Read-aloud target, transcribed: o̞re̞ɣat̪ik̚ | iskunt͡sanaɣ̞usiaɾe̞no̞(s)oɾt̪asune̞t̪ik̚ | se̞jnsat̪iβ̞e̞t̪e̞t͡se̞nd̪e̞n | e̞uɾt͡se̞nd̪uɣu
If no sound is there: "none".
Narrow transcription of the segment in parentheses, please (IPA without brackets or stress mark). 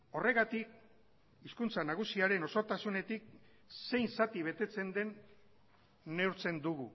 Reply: s